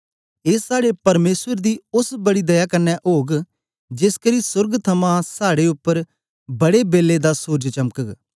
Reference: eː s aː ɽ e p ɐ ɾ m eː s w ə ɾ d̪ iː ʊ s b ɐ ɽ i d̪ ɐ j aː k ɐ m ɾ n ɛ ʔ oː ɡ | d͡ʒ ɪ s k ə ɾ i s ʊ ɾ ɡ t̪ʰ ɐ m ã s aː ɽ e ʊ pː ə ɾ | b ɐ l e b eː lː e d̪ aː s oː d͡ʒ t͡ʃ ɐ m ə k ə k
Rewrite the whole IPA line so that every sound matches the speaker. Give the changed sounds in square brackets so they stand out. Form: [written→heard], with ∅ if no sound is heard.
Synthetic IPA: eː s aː ɽ e p ɐ ɾ m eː s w ə ɾ d̪ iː ʊ s b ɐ ɽ i d̪ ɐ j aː k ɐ [m→∅] ɾ n ɛ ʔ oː ɡ | d͡ʒ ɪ s k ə ɾ i s ʊ ɾ ɡ t̪ʰ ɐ m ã s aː ɽ e ʊ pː ə ɾ | b ɐ [l→ɽ] e b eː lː e d̪ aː s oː d͡ʒ t͡ʃ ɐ m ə k ə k